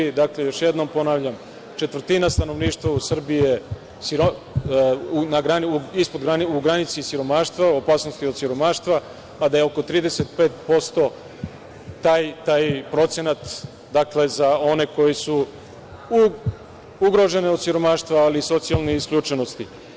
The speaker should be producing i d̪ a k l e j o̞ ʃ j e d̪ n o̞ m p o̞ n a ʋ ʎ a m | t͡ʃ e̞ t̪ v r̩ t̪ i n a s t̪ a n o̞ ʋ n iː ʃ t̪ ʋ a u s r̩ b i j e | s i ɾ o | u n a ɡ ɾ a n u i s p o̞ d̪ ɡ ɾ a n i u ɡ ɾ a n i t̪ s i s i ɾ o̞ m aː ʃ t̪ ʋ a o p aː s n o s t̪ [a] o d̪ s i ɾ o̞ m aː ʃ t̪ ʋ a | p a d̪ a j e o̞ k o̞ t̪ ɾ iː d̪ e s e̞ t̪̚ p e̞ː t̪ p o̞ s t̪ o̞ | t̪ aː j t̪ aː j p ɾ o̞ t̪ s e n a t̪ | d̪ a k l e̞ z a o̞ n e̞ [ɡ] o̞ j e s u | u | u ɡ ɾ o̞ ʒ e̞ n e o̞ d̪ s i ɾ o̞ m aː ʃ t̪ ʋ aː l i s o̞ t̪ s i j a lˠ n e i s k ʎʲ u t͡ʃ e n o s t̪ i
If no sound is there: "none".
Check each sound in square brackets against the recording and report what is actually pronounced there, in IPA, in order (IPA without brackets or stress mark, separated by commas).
i, k